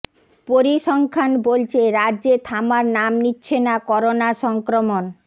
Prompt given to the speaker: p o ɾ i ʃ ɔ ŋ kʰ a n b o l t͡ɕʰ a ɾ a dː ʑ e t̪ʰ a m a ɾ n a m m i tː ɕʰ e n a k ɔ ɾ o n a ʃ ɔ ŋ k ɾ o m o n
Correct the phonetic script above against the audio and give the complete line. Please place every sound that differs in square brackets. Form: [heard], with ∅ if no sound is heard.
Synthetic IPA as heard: p o ɾ i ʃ ɔ ŋ kʰ a n b o l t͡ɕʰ [e] ɾ a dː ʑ e t̪ʰ a m a ɾ n a m [n] i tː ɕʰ e n a k ɔ ɾ o n a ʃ ɔ ŋ k ɾ o m o n